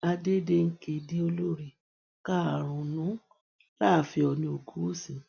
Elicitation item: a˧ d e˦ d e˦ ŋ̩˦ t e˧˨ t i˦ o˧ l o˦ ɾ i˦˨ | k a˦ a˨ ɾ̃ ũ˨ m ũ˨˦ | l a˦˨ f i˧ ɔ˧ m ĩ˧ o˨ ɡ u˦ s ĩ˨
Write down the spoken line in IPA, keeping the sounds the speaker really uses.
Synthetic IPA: a˧ d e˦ d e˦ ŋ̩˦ k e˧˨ d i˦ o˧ l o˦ ɾ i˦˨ | k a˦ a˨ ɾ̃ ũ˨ n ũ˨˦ | l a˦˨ f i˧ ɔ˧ n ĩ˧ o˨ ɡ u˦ s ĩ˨